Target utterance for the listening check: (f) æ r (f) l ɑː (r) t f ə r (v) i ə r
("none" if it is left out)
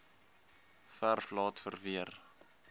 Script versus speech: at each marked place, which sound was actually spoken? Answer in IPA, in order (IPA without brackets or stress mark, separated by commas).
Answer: f, f, none, v